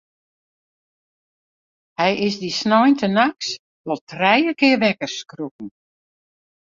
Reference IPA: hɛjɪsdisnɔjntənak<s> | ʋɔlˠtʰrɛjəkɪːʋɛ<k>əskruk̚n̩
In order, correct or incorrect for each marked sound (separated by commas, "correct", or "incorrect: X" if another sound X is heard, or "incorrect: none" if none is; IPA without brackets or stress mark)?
correct, correct